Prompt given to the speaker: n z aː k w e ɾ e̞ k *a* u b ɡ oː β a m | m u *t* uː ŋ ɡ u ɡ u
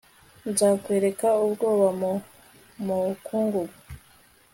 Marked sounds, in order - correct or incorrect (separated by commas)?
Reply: correct, incorrect